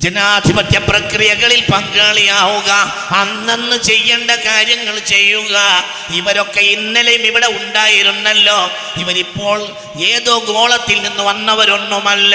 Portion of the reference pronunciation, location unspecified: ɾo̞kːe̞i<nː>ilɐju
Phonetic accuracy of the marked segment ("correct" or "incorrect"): correct